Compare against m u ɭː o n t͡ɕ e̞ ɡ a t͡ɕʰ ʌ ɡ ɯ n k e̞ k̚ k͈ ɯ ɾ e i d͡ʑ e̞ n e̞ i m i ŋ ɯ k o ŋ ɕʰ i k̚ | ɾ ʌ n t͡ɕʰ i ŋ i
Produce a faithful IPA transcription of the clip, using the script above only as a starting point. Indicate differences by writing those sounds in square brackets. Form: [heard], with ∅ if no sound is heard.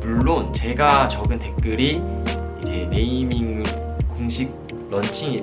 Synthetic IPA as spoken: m u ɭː o n t͡ɕ e̞ ɡ a [t͡ɕ] ʌ ɡ ɯ n [t] e̞ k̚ k͈ ɯ ɾ [i] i d͡ʑ e̞ n e̞ i m i ŋ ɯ k o ŋ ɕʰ i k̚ | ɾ ʌ n t͡ɕʰ i ŋ i

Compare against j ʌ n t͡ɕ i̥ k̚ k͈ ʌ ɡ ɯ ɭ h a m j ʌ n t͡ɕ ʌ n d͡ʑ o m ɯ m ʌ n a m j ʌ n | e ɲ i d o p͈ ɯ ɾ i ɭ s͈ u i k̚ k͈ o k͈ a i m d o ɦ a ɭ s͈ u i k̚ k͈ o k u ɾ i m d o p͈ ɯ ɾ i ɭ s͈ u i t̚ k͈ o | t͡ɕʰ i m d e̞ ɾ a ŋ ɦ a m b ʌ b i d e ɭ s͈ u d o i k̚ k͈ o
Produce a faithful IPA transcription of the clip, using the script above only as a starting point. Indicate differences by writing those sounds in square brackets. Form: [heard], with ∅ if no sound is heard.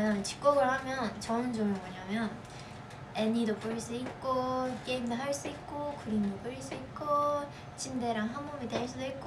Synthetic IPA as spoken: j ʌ n t͡ɕ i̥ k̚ k͈ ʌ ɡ ɯ ɭ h a m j ʌ n t͡ɕ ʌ n d͡ʑ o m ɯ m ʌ [ɲ] a m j ʌ n | e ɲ i d o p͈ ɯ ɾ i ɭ s͈ u i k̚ k͈ o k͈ [e] i m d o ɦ a ɭ s͈ u i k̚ k͈ o k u ɾ i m d o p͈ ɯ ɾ i ɭ s͈ u i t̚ k͈ o | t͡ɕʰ i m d e̞ ɾ a ŋ ɦ a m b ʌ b i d e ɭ s͈ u d o i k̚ k͈ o

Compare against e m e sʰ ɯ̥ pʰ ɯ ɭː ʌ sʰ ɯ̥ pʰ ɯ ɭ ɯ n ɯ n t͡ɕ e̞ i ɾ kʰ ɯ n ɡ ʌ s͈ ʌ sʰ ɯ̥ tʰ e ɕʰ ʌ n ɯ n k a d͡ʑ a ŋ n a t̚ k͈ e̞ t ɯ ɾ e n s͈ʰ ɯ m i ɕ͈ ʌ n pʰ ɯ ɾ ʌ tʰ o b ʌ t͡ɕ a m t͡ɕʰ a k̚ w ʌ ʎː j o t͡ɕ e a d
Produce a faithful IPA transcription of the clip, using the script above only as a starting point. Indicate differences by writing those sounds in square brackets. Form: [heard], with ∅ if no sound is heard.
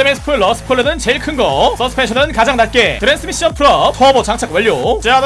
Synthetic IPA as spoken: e m e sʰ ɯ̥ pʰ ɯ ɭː ʌ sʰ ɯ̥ pʰ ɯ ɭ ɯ n ɯ n t͡ɕ e̞ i [ɭ] kʰ ɯ n ɡ ʌ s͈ ʌ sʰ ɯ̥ [pʰ] e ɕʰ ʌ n ɯ n k a d͡ʑ a ŋ n a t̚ k͈ e̞ t ɯ ɾ e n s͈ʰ ɯ m i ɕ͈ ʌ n pʰ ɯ ɾ ʌ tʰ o b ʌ t͡ɕ a [ŋ] t͡ɕʰ a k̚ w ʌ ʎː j o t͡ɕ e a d

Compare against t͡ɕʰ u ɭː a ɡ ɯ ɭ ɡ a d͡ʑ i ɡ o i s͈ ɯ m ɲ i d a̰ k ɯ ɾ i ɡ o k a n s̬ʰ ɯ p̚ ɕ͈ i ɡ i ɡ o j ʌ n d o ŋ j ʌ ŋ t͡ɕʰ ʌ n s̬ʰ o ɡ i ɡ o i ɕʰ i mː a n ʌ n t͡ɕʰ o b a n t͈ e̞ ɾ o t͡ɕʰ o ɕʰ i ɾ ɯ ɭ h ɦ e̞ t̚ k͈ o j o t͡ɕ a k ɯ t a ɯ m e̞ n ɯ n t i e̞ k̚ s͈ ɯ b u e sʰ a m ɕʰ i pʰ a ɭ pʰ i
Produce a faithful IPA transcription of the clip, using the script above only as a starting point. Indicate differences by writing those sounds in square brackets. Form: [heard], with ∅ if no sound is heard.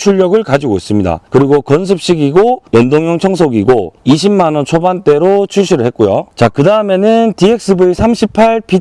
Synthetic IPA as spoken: t͡ɕʰ u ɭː [ʌ] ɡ ɯ ɭ [k] a d͡ʑ i ɡ o i s͈ ɯ m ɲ i d a̰ k ɯ ɾ i ɡ o k [ʌ] n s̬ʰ ɯ p̚ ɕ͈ i ɡ i ɡ o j ʌ n d o ŋ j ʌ ŋ t͡ɕʰ ʌ [ŋ] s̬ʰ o ɡ i ɡ o i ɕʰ i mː a n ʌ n t͡ɕʰ o b a n t͈ e̞ ɾ o t͡ɕʰ [u] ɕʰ i ɾ ɯ ɭ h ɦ e̞ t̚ k͈ o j o t͡ɕ a k ɯ [d] a ɯ m e̞ n ɯ n t i e̞ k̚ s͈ ɯ b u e sʰ a m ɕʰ i pʰ a ɭ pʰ i

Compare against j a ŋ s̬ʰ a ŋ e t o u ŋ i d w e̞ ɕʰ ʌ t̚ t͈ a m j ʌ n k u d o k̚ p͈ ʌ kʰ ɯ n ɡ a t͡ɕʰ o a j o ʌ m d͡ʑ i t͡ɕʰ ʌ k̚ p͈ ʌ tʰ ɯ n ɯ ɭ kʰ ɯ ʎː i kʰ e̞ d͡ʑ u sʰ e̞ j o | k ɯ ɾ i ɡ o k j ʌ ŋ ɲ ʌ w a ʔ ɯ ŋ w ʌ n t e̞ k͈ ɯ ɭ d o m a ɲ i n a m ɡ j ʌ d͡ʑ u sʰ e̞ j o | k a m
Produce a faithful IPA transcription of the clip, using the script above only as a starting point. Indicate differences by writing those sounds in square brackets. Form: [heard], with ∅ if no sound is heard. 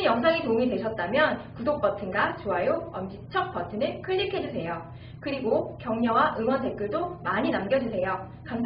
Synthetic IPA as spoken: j [ʌ] ŋ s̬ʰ a ŋ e t o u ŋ i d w e̞ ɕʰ ʌ t̚ t͈ a m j ʌ n k u d o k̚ p͈ ʌ [tʰ] ɯ n ɡ a [t͡ɕ] o a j o ʌ m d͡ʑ i t͡ɕʰ ʌ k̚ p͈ ʌ tʰ ɯ n ɯ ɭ kʰ ɯ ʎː i kʰ e̞ d͡ʑ u sʰ e̞ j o | k ɯ ɾ i ɡ o k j ʌ ŋ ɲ ʌ w a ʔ ɯ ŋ w ʌ n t e̞ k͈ ɯ ɭ d o m a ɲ i n a m ɡ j ʌ d͡ʑ u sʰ e̞ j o | k a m

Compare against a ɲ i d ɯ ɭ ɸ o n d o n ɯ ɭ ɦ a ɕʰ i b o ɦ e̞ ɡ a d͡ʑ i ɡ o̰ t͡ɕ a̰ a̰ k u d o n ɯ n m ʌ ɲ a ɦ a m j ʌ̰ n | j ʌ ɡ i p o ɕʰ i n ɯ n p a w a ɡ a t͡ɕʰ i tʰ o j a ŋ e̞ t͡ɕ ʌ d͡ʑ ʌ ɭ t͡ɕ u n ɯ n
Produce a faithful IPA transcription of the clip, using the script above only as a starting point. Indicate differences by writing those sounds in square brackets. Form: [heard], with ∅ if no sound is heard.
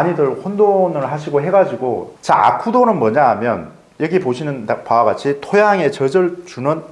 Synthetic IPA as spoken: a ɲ i d ɯ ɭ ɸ o n d o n ɯ ɭ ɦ a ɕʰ i [ɡ] o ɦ e̞ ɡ a d͡ʑ i ɡ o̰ t͡ɕ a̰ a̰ [kʰ] u d o n ɯ n m ʌ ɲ a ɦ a m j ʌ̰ n | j ʌ ɡ i p o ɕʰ i n ɯ n p a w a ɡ a t͡ɕʰ i tʰ o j a ŋ e̞ t͡ɕ ʌ d͡ʑ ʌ ɭ t͡ɕ u n ɯ n

